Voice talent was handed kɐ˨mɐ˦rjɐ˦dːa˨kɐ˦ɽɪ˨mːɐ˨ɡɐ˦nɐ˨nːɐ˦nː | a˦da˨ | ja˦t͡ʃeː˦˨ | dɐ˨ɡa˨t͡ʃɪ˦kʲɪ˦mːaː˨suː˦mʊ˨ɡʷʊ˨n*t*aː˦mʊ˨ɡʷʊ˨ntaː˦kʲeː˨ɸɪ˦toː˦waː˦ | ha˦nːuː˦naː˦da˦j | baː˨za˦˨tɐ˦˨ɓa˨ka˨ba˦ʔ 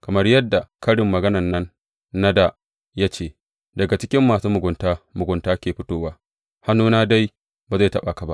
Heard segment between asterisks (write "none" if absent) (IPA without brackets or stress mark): t